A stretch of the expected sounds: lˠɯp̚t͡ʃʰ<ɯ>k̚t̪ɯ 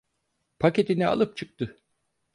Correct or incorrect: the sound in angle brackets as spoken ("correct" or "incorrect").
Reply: correct